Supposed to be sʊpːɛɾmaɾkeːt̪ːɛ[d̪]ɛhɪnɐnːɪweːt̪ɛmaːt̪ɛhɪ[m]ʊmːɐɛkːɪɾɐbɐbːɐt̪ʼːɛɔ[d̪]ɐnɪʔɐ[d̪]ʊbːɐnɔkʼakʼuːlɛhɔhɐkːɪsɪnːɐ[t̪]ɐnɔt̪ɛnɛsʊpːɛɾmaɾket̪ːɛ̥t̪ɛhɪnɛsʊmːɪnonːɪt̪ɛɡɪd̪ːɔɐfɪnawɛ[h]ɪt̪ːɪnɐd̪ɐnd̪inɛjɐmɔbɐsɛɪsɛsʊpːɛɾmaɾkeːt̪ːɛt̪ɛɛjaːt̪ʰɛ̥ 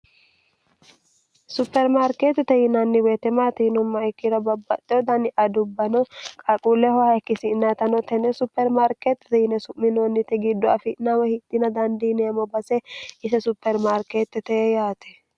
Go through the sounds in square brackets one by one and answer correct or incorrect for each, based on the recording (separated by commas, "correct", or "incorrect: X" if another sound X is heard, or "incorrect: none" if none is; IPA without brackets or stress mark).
incorrect: t̪, incorrect: n, correct, correct, correct, correct